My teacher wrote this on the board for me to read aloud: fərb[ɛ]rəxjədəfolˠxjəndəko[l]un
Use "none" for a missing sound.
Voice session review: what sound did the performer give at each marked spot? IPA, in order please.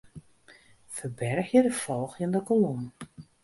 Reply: ɛ, l

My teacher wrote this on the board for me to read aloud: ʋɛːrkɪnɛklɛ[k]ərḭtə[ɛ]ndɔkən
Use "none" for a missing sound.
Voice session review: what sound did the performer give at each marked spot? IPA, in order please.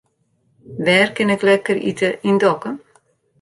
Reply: k, i

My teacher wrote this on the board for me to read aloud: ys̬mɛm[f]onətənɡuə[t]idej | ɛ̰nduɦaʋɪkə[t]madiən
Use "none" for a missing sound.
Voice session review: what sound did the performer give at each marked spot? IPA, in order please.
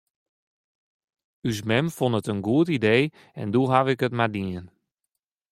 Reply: f, t, t

